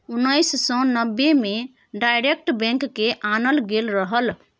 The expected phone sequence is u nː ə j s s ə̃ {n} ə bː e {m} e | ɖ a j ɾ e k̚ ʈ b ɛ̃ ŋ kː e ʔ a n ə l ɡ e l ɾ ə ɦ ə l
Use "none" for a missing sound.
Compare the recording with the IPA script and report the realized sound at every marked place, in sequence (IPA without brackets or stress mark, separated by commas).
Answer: n, m